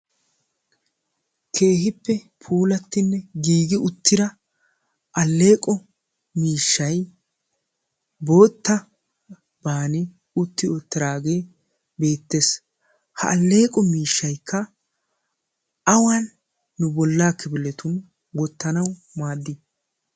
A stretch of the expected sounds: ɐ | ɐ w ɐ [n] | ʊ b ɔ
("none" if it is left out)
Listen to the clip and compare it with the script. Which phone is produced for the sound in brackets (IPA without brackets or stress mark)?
nː